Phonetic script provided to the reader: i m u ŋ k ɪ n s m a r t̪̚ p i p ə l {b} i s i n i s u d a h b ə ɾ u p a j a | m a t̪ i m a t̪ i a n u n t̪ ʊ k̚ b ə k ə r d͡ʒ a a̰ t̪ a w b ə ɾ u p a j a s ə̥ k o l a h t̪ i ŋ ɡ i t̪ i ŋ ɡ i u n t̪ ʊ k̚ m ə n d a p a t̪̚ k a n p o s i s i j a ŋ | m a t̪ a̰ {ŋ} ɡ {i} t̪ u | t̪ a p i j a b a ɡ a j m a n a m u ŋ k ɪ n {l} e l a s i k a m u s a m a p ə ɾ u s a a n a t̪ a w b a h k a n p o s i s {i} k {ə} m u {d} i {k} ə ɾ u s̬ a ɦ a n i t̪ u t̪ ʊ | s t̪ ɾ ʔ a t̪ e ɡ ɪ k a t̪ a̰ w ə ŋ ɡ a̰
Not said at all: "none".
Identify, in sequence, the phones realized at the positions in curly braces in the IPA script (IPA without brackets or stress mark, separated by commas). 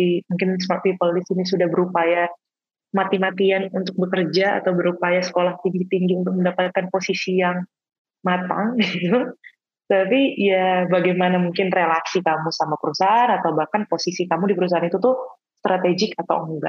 d, ŋ, i, r, i, a, d, p